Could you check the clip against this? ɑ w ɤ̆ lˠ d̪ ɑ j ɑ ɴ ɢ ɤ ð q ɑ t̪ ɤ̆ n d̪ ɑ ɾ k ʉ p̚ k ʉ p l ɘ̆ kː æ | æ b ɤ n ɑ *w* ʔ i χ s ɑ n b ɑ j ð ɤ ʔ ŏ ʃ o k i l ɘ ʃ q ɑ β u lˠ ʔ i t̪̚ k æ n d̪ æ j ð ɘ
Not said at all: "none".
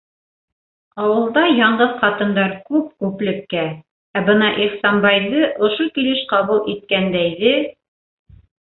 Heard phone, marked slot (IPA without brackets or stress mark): none